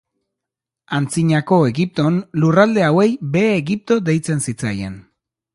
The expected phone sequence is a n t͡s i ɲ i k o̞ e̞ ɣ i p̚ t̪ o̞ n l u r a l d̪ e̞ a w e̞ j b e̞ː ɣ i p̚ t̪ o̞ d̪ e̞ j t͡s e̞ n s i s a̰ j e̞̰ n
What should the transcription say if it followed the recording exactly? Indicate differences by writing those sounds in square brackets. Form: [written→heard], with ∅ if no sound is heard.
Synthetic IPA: a n t͡s i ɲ [i→a] k o̞ e̞ ɣ i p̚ t̪ o̞ n l u r a l d̪ e̞ a w e̞ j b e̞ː ɣ i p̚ t̪ o̞ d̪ e̞ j t͡s e̞ n s i [s→t͡s] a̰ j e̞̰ n